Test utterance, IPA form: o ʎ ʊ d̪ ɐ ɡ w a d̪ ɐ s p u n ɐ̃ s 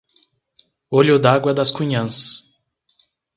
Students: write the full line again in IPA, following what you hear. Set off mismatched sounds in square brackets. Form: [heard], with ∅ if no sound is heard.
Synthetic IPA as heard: o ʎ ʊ d̪ [a] ɡ w [ɐ] d̪ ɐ s [k] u [ɲ] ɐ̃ s